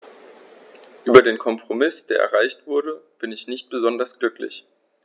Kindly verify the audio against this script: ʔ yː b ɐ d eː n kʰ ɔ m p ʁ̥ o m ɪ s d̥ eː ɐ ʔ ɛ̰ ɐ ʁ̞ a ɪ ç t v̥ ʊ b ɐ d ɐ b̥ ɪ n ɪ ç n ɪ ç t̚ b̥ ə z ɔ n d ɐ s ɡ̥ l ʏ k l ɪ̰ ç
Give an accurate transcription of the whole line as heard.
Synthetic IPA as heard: ʔ yː b ɐ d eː n kʰ ɔ m p ʁ̥ o m ɪ s d̥ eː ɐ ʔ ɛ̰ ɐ ʁ̞ a ɪ ç t v̥ ʊ ɐ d ə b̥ ɪ n ɪ ç n ɪ ç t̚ b̥ ə z ɔ n d ɐ s ɡ̥ l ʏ k l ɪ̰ ç